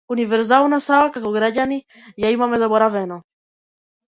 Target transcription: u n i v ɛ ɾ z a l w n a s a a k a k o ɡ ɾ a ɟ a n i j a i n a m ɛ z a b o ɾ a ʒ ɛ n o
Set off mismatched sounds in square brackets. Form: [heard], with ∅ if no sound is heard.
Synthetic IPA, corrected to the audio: u n i v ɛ ɾ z a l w n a s a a k a k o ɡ ɾ a ɟ a n i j a i [m] a m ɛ z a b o ɾ a [v] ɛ n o